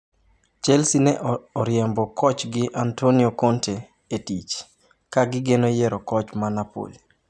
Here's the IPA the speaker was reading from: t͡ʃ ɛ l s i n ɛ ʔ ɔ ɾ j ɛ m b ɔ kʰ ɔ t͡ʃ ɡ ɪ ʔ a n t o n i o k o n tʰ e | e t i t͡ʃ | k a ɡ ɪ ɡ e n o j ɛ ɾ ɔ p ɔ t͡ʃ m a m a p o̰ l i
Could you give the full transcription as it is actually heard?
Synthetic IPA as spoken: t͡ʃ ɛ l s i n ɛ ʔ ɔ ɾ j ɛ m b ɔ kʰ ɔ t͡ʃ ɡ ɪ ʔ a n t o n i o k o n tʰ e | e t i t͡ʃ | k a ɡ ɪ ɡ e n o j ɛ ɾ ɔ k ɔ t͡ʃ m a n a p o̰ l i